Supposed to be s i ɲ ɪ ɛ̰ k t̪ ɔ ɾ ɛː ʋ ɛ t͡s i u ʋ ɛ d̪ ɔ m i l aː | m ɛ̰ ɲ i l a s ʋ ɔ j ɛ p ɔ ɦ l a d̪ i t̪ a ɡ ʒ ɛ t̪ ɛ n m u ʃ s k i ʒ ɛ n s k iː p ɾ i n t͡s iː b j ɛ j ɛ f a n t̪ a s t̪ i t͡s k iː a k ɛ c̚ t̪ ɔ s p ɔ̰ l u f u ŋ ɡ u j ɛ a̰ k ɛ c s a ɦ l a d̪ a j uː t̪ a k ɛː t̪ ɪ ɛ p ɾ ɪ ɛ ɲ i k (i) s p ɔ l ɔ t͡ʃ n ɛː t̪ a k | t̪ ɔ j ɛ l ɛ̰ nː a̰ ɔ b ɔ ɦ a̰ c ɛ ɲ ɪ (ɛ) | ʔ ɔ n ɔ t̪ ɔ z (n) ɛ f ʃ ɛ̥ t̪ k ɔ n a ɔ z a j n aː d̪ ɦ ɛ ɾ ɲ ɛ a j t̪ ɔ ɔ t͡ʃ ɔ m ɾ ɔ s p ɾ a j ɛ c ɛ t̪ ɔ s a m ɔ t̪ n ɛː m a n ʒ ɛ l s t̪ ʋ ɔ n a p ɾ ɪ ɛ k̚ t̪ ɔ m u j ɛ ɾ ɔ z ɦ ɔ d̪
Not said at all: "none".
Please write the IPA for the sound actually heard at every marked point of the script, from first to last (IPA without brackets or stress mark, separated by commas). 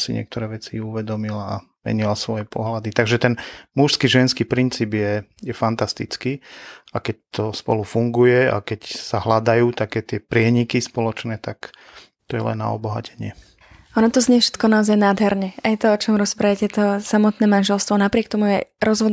i, ɛ, ɲ